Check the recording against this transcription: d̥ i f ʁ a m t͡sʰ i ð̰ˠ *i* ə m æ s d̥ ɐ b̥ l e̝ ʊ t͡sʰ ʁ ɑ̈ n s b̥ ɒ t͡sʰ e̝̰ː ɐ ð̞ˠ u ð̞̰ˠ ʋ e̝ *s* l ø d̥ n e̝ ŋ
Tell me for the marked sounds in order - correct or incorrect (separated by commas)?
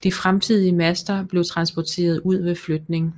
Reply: correct, incorrect